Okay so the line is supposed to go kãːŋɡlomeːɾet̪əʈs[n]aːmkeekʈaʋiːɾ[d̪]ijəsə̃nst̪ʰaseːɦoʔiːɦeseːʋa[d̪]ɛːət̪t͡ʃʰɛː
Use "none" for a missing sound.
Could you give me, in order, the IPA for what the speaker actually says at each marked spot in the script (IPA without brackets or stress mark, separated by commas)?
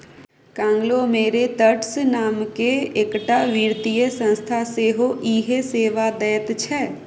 n, t̪, d̪